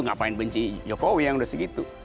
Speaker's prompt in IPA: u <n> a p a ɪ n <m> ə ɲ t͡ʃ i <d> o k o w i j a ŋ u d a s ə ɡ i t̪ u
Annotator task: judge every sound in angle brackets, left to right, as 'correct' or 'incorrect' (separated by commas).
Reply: incorrect, incorrect, incorrect